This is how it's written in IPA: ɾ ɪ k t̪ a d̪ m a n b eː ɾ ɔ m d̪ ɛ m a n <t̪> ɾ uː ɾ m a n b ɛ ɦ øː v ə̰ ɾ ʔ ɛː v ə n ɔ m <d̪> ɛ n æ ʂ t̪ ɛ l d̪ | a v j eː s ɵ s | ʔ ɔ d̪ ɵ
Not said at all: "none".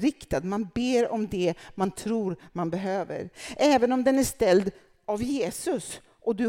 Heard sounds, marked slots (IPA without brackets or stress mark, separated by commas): t̪ʰ, d̪